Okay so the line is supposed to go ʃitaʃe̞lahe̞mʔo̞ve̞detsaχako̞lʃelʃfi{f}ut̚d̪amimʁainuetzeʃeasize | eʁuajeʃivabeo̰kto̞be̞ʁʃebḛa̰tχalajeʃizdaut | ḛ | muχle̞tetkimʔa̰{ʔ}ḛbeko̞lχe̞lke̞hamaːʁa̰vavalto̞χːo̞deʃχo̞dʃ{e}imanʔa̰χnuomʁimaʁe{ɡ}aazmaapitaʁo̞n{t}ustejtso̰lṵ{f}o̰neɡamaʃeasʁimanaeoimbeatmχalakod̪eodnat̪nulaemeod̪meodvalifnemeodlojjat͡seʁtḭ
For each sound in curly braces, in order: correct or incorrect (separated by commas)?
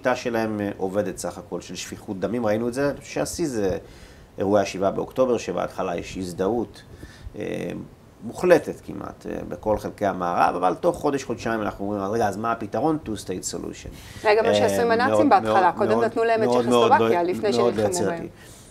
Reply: incorrect, incorrect, incorrect, correct, correct, incorrect